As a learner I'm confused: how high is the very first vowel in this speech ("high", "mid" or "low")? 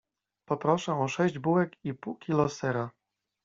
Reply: mid